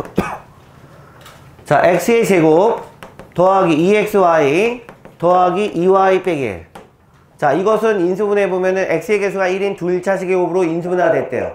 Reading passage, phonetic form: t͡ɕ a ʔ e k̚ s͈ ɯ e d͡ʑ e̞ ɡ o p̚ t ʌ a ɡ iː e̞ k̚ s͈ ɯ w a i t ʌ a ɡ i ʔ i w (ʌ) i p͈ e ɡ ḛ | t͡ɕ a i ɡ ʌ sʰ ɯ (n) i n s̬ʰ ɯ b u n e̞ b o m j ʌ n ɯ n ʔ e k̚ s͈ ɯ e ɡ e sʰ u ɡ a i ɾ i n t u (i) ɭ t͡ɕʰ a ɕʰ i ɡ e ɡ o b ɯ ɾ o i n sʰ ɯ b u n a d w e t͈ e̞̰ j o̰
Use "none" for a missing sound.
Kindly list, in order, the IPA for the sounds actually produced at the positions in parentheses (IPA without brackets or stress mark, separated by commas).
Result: a, n, i